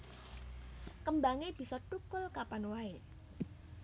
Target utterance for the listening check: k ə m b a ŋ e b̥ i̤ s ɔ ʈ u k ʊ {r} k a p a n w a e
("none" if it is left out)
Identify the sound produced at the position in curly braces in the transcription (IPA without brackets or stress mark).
l